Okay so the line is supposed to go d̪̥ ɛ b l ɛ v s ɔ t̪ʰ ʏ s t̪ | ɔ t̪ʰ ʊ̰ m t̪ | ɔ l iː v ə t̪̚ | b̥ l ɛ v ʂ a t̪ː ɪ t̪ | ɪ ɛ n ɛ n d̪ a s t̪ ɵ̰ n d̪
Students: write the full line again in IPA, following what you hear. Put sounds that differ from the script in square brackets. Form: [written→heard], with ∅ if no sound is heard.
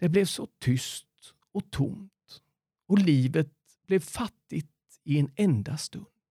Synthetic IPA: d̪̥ ɛ b l ɛ v s ɔ t̪ʰ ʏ s t̪ | ɔ t̪ʰ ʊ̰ m t̪ | ɔ l iː v ə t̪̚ | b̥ l ɛ v [ʂ→f] a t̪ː ɪ t̪ | ɪ ɛ n ɛ n d̪ a s t̪ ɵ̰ n d̪